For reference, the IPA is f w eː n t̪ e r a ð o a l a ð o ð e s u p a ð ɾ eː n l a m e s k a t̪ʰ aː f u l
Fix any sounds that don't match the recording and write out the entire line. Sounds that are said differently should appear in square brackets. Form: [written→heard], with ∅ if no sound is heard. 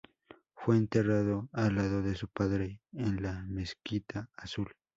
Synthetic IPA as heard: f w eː n t̪ e r a ð o a l a ð o ð e s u p a ð ɾ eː n l a m e s k [a→i] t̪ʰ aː [f→s] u l